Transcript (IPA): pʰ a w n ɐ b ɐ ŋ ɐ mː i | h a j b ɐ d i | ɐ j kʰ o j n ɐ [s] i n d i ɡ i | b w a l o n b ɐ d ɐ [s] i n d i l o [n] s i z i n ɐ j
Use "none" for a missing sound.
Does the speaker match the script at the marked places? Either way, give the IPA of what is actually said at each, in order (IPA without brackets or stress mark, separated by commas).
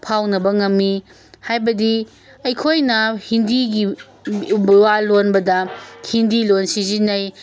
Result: h, h, n